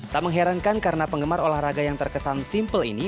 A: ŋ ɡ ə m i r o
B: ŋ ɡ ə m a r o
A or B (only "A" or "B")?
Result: B